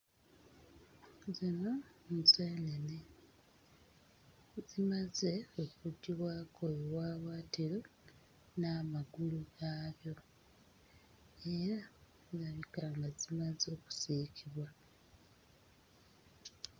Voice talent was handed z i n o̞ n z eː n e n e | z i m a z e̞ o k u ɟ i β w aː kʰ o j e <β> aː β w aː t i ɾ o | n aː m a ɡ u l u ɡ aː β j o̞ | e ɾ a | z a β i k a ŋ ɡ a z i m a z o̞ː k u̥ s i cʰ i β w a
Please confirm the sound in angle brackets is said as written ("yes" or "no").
no